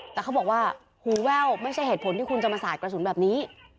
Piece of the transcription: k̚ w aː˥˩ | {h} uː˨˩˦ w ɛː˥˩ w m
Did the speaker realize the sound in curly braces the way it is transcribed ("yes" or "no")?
yes